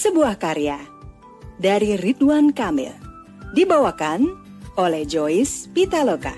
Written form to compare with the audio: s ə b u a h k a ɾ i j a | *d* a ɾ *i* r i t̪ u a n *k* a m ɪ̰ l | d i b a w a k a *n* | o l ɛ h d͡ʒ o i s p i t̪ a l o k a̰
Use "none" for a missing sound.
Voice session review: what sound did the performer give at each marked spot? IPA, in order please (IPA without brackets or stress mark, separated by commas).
d, i, k, n